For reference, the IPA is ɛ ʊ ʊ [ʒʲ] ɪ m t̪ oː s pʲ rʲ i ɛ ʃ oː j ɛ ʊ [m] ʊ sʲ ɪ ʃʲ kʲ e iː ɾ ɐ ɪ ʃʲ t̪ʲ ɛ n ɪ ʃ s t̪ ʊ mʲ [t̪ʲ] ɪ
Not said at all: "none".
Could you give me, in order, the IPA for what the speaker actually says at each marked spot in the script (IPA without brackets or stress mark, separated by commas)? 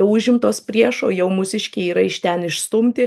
ʒʲ, m, t̪ʲ